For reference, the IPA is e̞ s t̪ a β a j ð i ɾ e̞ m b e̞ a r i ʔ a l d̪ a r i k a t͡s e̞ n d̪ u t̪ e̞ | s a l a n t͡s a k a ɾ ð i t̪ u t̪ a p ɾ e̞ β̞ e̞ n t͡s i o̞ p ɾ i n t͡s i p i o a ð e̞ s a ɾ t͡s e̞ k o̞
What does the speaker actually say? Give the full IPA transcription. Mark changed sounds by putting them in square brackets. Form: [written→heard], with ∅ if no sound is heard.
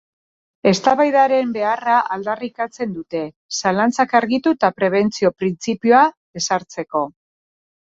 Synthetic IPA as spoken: e̞ s t̪ a β a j ð [i→a] ɾ e̞ m b e̞ a r [i→a] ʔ a l d̪ a r i k a t͡s e̞ n d̪ u t̪ e̞ | s a l a n t͡s a k a ɾ [ð→ɣ] i t̪ u t̪ a p ɾ e̞ β̞ e̞ n t͡s i o̞ p ɾ i n t͡s i p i o a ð e̞ s a ɾ t͡s e̞ k o̞